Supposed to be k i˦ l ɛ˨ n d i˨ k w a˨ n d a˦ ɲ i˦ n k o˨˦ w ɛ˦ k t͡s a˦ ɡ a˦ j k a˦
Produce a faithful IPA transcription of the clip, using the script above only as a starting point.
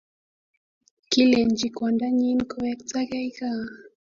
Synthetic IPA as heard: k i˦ l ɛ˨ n d͡ʒ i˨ k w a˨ n d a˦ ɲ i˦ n k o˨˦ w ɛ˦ k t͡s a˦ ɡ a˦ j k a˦